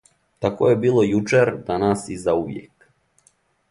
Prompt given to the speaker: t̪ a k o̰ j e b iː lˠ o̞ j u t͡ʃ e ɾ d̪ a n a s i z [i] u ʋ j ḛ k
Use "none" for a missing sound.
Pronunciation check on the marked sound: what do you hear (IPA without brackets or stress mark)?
a